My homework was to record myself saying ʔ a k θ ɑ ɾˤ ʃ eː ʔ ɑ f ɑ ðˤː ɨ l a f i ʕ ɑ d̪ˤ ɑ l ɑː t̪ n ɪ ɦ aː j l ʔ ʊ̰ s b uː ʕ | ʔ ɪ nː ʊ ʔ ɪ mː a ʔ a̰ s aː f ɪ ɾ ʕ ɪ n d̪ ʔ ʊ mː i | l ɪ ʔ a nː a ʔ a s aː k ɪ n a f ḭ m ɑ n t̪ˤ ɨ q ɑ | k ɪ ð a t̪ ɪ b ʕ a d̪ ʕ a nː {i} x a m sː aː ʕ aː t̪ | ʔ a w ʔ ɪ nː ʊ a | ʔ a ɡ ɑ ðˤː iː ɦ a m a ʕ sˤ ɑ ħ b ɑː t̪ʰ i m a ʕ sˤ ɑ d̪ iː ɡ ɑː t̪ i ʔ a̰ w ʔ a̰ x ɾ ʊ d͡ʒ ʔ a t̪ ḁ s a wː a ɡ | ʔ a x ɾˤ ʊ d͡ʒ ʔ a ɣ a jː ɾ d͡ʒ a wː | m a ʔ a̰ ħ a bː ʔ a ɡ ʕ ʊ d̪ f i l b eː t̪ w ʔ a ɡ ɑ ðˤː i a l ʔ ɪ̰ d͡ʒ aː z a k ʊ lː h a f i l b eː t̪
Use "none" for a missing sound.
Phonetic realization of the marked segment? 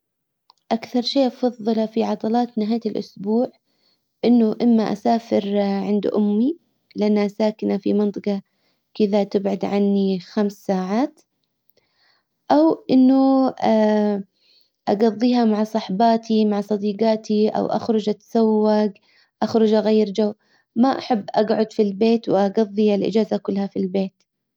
i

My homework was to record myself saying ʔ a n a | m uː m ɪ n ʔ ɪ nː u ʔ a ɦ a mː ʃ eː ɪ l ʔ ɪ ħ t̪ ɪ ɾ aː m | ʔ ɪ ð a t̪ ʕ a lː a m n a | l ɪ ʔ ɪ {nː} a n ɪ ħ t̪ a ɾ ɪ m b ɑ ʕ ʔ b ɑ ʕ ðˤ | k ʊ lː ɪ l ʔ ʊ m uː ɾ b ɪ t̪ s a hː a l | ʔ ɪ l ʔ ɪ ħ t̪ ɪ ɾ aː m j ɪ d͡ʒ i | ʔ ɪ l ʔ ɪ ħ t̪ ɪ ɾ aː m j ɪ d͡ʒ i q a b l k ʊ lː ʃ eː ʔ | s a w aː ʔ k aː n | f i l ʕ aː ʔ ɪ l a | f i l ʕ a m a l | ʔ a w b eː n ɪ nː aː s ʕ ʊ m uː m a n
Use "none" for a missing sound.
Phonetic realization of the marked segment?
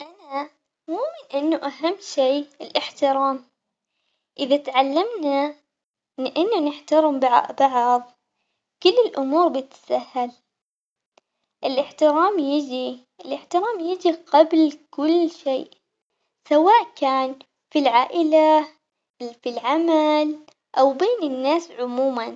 nː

